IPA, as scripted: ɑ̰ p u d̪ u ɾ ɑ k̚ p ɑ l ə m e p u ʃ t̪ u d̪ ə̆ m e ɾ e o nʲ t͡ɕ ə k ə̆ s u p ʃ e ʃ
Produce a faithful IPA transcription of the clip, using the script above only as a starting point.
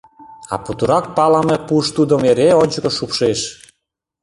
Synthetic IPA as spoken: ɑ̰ p u t̪ u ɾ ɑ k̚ p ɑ l ɑ m e p u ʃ t̪ u d̪ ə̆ m e ɾ e o nʲ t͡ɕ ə k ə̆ ʃ u p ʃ e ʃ